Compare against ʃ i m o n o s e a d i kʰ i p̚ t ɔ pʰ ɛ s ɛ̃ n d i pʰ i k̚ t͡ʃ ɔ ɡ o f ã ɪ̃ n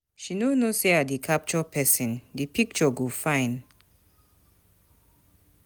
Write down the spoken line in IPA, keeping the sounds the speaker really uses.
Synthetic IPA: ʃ i n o n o s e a d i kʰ a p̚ t͡ʃ ɔ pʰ ɛ s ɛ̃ n d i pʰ i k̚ t͡ʃ ɔ ɡ o f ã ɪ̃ n